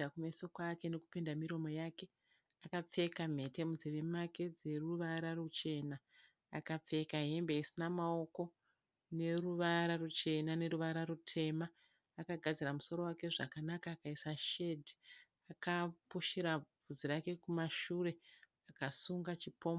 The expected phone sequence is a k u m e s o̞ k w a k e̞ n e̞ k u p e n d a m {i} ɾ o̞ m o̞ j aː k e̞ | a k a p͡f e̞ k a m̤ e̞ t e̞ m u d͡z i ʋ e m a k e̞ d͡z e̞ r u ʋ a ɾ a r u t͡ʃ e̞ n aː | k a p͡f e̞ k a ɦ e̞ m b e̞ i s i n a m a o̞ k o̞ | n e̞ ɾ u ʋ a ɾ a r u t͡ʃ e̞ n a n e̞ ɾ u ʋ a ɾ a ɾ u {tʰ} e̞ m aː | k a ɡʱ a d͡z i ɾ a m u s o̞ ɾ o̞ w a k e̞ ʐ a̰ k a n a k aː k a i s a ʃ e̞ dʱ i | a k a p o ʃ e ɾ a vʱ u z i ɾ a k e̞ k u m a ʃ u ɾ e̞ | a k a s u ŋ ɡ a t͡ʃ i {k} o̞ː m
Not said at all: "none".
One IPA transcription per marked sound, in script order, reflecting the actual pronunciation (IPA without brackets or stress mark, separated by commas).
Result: i, tʰ, p